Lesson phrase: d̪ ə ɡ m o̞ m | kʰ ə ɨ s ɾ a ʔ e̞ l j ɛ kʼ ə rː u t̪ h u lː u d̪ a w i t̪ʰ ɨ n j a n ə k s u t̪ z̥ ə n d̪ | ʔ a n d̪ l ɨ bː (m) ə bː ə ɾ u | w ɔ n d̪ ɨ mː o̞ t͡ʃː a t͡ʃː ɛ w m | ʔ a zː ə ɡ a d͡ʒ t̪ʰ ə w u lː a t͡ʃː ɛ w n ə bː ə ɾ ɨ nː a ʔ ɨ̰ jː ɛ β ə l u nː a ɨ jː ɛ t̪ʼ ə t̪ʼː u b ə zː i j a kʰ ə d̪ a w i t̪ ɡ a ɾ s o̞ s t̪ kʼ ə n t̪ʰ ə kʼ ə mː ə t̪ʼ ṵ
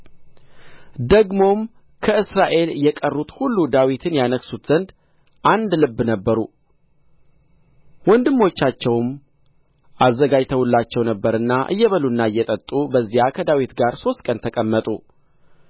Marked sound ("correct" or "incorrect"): incorrect